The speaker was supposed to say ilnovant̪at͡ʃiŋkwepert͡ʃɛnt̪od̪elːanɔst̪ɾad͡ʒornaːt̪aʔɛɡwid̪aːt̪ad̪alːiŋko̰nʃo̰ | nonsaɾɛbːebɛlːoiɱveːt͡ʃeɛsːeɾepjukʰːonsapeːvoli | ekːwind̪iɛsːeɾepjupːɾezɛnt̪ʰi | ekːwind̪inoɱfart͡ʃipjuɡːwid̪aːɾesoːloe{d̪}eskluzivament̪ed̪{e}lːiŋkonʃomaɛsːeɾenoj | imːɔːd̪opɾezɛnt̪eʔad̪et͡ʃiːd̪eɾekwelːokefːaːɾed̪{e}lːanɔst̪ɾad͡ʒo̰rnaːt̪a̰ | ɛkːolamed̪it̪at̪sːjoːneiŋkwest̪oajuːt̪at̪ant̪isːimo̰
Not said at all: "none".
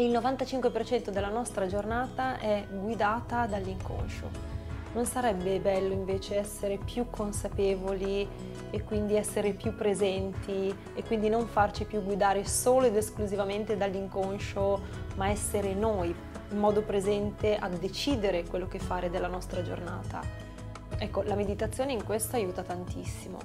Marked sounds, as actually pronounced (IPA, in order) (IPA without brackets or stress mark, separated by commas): d̪, a, e